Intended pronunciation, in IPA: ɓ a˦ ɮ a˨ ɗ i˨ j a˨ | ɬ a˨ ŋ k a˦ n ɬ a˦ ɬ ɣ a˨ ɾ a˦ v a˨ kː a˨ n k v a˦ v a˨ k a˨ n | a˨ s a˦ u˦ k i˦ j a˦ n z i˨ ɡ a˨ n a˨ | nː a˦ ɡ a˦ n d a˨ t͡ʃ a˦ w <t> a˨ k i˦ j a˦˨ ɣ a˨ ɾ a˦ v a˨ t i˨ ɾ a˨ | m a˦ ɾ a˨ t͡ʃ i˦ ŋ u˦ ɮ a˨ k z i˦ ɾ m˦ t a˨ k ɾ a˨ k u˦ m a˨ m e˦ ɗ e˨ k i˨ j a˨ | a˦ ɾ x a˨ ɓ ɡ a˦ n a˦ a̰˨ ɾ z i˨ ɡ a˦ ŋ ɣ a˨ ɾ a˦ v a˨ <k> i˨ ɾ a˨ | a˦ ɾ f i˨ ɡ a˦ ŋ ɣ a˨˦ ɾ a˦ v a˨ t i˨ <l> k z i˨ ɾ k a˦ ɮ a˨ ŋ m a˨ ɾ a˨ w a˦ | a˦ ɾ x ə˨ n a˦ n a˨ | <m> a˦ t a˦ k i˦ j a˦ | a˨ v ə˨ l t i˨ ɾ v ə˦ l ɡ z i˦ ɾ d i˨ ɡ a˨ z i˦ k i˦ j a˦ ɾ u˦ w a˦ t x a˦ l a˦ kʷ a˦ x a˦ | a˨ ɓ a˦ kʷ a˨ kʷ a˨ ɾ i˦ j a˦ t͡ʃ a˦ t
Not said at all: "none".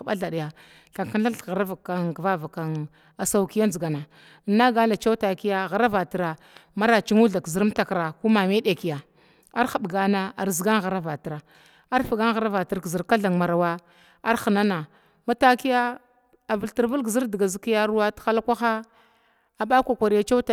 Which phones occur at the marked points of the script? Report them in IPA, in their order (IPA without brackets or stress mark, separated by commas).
t, t, ɾ, m